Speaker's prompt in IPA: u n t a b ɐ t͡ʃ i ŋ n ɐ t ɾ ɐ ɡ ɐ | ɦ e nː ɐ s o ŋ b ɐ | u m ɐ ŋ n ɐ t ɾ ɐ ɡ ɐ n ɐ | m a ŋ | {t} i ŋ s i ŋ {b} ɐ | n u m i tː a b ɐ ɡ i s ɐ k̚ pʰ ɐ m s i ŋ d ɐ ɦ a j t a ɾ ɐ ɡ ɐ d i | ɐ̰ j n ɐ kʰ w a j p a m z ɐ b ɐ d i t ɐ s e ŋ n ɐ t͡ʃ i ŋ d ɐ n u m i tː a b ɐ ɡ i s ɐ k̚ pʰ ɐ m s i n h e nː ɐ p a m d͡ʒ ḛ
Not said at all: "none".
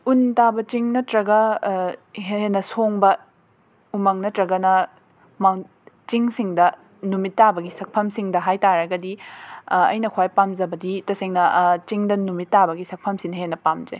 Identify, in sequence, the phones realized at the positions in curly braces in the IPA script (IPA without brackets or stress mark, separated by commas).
t͡ʃ, d